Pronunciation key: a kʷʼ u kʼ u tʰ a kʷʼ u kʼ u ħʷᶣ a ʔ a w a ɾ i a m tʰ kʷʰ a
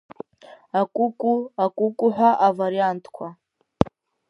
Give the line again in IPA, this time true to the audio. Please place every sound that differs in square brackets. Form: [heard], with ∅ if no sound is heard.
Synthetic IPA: a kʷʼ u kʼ u [∅] a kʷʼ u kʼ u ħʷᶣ a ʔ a [v] a ɾ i a [n] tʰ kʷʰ a